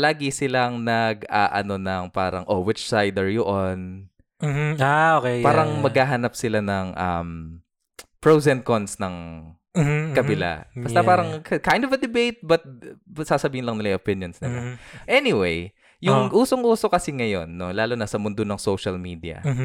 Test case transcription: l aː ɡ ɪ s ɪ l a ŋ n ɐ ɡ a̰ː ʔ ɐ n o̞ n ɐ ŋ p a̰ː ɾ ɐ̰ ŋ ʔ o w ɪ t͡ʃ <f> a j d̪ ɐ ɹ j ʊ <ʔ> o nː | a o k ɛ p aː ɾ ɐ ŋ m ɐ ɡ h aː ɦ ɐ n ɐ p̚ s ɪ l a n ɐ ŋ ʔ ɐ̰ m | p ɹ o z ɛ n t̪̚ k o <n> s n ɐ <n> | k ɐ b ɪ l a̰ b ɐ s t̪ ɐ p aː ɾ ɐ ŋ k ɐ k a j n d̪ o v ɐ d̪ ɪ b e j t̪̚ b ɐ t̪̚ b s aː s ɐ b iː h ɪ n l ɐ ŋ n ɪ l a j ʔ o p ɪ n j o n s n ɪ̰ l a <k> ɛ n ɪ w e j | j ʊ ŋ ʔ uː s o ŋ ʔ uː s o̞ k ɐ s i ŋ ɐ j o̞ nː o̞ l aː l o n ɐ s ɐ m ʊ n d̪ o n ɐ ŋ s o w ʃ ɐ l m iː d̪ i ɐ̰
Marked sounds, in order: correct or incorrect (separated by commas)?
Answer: incorrect, correct, correct, incorrect, incorrect